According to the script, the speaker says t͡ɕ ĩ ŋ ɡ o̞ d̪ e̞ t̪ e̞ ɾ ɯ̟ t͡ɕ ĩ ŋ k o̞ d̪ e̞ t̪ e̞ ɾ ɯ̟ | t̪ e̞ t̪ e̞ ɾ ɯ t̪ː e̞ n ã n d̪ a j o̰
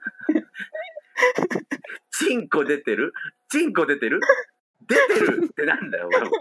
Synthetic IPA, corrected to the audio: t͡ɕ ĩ ŋ k o̞ d̪ e̞ t̪ e̞ ɾ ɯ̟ t͡ɕ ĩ ŋ k o̞ d̪ e̞ t̪ e̞ ɾ ɯ̟ | d̪ e̞ t̪ e̞ ɾ ɯ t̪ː e̞ n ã n d̪ a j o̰